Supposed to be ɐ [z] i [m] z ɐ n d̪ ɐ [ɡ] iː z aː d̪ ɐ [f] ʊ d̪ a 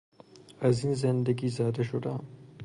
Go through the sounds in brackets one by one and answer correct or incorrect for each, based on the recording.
correct, incorrect, correct, incorrect

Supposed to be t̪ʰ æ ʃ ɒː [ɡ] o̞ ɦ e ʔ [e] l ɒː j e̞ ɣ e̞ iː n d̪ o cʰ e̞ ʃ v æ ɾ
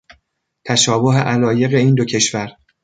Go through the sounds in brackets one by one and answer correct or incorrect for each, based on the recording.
incorrect, incorrect

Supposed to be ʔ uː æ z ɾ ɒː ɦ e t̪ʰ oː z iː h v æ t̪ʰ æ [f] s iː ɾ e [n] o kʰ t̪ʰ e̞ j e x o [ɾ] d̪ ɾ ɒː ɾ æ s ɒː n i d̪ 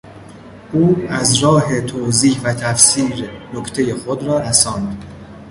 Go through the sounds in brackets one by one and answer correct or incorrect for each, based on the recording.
correct, correct, incorrect

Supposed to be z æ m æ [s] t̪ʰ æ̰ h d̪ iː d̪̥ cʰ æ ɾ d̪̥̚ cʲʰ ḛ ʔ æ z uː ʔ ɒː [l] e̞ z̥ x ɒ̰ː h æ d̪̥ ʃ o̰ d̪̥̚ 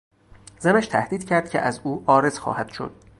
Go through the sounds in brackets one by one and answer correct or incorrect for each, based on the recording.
incorrect, incorrect

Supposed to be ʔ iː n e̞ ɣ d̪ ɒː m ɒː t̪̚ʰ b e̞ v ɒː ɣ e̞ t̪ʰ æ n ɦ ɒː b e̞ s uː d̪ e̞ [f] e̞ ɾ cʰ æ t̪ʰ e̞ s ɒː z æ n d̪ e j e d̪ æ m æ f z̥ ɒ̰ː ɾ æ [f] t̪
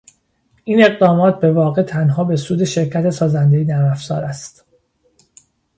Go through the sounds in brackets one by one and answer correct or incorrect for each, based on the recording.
incorrect, incorrect

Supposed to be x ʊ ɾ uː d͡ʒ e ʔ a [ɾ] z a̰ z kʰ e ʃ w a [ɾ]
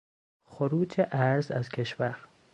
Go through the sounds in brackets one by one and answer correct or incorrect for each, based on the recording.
correct, correct

